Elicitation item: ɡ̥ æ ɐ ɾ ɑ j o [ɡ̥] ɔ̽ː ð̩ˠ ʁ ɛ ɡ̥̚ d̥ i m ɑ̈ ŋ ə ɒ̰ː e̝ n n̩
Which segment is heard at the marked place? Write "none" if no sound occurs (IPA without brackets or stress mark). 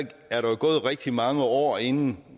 ɡ̥